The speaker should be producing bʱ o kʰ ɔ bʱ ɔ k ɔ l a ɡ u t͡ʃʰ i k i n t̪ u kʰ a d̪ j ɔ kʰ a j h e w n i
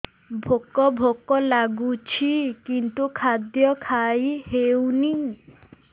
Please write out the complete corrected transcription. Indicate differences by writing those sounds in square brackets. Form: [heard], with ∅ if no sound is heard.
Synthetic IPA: bʱ o [k] ɔ bʱ [o] k ɔ l a ɡ u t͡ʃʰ i k i n t̪ u kʰ a d̪ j ɔ kʰ a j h e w n i